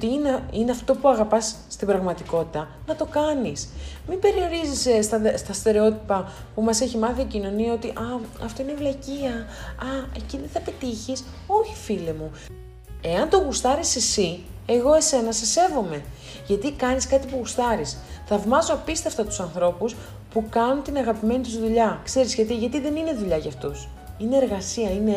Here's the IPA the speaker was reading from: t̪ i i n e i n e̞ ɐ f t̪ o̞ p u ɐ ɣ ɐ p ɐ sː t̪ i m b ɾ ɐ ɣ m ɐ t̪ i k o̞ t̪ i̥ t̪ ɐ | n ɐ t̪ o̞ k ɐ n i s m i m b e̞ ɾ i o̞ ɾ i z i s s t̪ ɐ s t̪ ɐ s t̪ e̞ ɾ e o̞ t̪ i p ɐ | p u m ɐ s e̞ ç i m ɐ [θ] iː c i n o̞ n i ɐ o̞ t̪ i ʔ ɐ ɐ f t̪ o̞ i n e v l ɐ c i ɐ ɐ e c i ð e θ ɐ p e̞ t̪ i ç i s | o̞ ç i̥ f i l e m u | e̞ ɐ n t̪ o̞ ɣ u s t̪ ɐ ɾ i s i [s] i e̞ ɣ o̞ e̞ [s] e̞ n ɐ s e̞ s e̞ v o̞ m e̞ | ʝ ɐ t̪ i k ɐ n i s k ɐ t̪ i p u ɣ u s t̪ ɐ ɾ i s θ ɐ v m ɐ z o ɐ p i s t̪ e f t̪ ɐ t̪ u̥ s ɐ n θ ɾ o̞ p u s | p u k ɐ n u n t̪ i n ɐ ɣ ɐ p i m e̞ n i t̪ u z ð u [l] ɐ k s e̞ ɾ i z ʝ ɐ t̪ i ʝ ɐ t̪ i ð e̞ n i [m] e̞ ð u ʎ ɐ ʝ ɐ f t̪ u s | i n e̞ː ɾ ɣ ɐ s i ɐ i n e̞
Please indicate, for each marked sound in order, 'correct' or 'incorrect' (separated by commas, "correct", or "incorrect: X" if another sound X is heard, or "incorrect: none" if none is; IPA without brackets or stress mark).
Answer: correct, correct, correct, incorrect: ʎ, incorrect: n